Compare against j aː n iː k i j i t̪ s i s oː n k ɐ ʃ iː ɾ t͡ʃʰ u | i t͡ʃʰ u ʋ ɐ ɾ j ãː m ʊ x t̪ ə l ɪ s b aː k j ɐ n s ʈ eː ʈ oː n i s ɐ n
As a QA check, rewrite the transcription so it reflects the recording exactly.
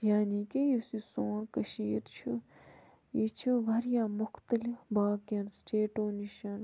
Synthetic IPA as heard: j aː n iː k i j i s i s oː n k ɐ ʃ iː ɾ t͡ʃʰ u | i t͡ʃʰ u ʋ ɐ ɾ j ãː m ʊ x t̪ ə l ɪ f b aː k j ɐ n s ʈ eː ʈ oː n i ʃ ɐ n